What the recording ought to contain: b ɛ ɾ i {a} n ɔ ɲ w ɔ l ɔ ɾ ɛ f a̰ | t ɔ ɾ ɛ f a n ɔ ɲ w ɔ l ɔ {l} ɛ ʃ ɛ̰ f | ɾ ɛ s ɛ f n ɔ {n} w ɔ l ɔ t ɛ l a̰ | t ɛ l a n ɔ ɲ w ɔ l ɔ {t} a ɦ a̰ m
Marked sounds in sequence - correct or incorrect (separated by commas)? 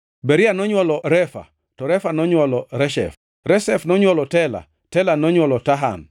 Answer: correct, incorrect, incorrect, correct